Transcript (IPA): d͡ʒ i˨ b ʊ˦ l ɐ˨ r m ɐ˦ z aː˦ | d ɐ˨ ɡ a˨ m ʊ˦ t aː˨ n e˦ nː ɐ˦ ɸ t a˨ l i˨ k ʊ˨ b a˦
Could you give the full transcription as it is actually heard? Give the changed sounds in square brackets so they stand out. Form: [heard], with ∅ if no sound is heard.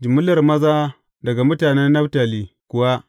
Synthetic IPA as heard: d͡ʒ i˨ [m] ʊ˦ l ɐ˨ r m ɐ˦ z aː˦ | d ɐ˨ ɡ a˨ m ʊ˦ t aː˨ n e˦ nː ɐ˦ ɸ t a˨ l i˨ k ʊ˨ [w] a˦